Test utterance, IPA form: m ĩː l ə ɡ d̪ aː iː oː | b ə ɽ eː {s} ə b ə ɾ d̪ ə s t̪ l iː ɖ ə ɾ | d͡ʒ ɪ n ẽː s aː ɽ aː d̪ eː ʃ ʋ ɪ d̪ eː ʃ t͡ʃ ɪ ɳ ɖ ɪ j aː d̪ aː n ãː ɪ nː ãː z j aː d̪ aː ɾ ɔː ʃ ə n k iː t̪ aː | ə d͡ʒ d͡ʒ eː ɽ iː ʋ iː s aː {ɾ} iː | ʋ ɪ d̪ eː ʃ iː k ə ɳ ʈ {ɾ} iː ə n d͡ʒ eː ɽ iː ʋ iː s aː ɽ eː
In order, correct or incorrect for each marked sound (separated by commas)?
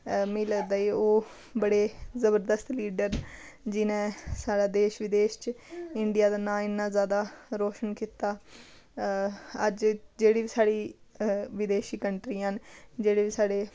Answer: incorrect, incorrect, correct